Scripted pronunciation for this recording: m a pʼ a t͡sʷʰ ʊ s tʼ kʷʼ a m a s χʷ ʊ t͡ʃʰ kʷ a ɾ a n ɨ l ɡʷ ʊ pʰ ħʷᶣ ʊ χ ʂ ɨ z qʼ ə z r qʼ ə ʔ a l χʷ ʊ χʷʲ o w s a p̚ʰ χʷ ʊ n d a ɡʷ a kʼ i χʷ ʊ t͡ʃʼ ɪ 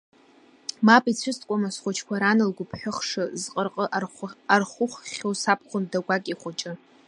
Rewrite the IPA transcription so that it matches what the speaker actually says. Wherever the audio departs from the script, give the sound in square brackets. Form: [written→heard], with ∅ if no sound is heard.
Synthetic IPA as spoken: m a pʼ [a→i] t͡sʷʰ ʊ s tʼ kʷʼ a m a s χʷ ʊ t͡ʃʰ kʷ a ɾ a n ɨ l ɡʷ ʊ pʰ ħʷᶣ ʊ χ ʂ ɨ z qʼ ə [z→∅] r qʼ ə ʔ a [l→r] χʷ ʊ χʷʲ o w s a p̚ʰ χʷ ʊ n d a ɡʷ a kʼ i χʷ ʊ t͡ʃʼ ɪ